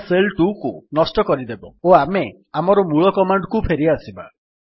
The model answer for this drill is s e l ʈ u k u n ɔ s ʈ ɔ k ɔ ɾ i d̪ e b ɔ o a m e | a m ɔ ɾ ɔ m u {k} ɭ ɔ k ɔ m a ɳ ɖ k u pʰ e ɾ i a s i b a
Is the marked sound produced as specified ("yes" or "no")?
no